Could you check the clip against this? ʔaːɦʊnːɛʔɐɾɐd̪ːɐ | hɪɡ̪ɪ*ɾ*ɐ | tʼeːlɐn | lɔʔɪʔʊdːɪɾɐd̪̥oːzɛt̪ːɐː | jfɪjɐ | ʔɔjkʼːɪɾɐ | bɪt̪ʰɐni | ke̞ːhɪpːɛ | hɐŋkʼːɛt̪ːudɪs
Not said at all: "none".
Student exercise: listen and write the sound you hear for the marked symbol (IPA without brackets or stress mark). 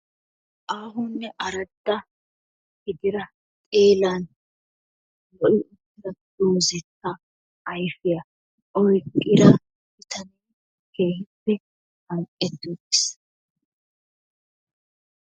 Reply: ɾ